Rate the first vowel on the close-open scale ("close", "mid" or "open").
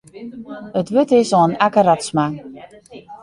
mid